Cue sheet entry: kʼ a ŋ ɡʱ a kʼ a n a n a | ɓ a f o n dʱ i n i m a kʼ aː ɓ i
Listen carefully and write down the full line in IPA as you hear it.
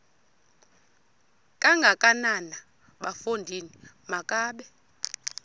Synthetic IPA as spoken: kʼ a ŋ ɡʱ a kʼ a n a n a | ɓ a f o n dʱ i n i m a kʼ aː ɓ ɛ